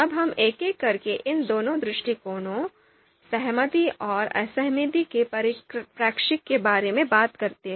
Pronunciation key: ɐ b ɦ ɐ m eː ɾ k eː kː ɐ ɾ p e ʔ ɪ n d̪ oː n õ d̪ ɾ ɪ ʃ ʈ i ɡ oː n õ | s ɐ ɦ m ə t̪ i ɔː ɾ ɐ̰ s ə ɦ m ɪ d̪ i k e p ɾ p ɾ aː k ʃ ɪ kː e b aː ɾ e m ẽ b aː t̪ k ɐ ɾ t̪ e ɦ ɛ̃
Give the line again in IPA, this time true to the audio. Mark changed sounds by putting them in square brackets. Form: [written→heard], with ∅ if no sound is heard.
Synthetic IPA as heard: ɐ b ɦ ɐ m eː [ɾ→∅] k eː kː ɐ ɾ [p→k] e ʔ ɪ n d̪ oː n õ d̪ ɾ ɪ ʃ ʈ i [ɡ→k] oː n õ | s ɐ ɦ m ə t̪ i ɔː ɾ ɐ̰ s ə ɦ m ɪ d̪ i k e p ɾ p ɾ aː k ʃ ɪ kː e b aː ɾ e m ẽ b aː t̪ k ɐ ɾ t̪ e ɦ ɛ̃